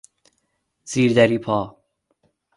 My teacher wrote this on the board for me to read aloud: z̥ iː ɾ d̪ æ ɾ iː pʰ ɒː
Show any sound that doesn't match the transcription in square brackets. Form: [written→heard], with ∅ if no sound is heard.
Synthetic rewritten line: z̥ iː ɾ d̪ æ ɾ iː pʰ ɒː